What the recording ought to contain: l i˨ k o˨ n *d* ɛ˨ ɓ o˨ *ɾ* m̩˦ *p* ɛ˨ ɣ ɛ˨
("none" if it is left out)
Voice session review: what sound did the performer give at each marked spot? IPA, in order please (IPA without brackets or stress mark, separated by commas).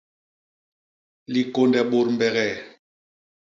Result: d, ɾ, b